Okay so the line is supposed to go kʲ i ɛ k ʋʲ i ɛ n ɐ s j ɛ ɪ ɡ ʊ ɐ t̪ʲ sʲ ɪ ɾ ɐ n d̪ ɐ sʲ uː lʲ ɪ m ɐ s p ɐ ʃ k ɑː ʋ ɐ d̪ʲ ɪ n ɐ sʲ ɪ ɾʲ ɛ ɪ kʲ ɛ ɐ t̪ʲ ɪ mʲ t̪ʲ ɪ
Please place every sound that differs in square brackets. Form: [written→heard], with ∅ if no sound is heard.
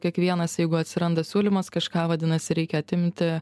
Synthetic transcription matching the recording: kʲ i ɛ k ʋʲ i ɛ n ɐ s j ɛ ɪ ɡ ʊ ɐ t̪ʲ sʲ ɪ ɾ ɐ n d̪ ɐ sʲ uː lʲ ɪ m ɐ s [p→k] ɐ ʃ k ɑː ʋ ɐ d̪ʲ ɪ n ɐ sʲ ɪ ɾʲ ɛ ɪ kʲ ɛ ɐ t̪ʲ ɪ mʲ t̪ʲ ɪ